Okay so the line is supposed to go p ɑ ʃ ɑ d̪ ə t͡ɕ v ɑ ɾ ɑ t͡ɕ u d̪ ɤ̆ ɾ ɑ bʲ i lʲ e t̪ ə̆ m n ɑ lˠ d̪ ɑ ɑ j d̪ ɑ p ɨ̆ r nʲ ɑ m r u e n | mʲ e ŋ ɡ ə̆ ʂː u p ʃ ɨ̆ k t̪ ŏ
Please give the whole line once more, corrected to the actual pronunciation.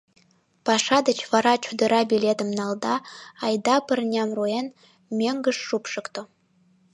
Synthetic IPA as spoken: p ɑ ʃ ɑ d̪ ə t͡ɕ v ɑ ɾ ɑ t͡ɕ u d̪ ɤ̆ ɾ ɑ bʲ i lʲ e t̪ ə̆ m n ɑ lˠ d̪ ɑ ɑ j d̪ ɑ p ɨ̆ r nʲ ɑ m r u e n | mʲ e ŋ ɡ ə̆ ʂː u p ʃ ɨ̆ k t̪ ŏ